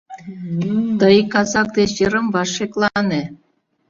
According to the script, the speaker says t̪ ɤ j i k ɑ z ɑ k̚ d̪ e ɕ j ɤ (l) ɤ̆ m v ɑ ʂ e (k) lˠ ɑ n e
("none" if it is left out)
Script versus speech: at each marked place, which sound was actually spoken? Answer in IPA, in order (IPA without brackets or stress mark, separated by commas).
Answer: ɾ, k